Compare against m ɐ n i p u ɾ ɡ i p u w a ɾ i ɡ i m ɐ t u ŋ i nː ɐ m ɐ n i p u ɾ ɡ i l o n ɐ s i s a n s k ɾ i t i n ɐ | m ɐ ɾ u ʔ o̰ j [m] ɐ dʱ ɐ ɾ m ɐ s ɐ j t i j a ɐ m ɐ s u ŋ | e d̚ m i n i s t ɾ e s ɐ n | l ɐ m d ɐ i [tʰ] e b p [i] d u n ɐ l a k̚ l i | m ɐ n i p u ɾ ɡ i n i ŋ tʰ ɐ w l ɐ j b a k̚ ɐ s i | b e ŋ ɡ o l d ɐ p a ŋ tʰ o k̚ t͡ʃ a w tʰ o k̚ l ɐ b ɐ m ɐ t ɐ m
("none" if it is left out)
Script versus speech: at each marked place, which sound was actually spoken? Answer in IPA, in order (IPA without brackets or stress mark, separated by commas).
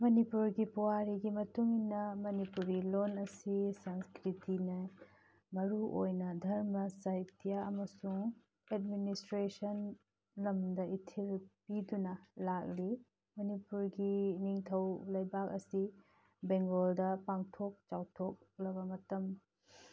n, tʰ, i